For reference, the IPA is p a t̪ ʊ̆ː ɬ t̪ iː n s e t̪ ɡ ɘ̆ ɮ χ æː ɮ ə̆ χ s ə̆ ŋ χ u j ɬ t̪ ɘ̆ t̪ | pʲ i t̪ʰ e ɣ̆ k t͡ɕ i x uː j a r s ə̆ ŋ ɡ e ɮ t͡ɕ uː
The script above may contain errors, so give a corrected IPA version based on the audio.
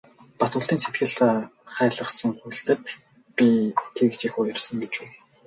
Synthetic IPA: p a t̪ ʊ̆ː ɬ t̪ iː n s e t̪ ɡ ɘ̆ ɮ χ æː ɮ ə̆ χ s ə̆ ŋ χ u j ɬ t̪ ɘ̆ t̪ | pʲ i t̪ʰ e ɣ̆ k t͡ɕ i x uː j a r s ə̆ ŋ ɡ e t͡ɕ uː